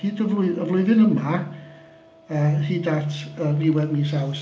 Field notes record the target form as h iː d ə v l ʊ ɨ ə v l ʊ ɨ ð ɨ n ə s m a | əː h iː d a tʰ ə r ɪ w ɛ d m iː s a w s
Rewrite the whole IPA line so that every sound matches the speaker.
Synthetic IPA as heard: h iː d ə v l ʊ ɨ ə v l ʊ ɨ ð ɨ n ə m a | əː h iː d a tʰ ə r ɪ w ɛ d m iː s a w s